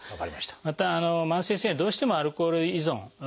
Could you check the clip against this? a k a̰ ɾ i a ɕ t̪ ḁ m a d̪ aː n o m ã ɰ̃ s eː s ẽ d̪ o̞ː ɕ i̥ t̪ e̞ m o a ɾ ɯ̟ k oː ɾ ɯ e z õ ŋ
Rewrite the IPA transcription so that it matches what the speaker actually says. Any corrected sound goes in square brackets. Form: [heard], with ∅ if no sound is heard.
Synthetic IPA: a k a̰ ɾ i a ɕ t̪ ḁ m a [t̪] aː n o m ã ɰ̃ s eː s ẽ d̪ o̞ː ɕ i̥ t̪ e̞ m o a ɾ ɯ̟ k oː ɾ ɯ [i] z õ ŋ